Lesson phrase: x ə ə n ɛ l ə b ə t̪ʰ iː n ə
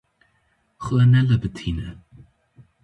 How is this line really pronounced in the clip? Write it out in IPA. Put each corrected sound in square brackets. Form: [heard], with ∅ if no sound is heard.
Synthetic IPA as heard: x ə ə n ɛ l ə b ə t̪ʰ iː n ə